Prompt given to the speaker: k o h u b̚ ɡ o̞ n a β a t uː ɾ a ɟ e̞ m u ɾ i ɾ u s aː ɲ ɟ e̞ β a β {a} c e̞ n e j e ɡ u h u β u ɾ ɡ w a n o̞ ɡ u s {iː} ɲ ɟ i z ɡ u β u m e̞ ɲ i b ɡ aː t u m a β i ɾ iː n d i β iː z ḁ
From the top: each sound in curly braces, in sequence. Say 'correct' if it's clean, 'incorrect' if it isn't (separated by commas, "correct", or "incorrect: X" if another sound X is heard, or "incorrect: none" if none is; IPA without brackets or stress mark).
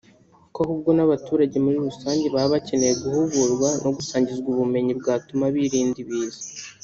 correct, incorrect: aː